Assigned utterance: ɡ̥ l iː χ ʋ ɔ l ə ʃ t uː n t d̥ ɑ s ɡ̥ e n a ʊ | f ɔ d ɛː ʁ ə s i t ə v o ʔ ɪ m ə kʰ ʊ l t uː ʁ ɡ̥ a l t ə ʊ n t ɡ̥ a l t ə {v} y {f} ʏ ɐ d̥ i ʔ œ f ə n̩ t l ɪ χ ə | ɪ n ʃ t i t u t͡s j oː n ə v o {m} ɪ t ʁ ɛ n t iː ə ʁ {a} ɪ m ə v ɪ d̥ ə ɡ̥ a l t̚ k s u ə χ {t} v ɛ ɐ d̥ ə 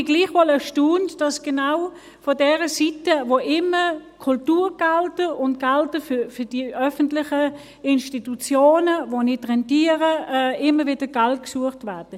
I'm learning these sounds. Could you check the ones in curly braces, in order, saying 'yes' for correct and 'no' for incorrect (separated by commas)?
no, yes, no, no, yes